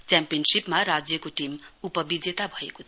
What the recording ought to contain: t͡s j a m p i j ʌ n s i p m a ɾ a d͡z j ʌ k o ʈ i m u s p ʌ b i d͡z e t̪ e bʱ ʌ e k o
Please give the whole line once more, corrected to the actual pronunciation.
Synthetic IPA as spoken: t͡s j a m p i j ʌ n s i p m a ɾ a d͡z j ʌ k o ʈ i m u p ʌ b i d͡z e t̪ a bʱ ʌ e k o